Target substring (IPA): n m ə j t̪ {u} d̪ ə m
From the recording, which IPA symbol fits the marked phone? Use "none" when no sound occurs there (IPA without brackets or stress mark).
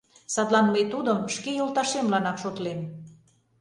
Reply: u